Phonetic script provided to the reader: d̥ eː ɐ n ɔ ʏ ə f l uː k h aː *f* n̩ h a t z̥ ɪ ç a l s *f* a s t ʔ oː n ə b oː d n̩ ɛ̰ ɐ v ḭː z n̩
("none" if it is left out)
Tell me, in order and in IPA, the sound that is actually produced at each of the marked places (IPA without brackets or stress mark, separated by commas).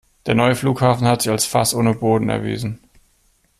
f, f